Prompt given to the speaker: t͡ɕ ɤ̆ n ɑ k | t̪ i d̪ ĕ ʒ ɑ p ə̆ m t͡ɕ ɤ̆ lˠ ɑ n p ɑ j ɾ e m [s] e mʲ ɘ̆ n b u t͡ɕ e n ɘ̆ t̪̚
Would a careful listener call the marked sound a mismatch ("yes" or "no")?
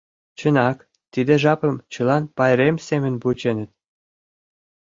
no